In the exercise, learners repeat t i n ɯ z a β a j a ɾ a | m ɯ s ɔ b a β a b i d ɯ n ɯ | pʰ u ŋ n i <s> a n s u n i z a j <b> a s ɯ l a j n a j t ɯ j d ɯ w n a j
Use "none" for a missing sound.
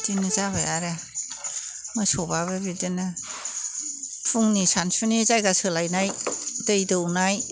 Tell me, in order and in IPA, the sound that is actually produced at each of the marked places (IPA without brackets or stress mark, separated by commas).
s, ɡ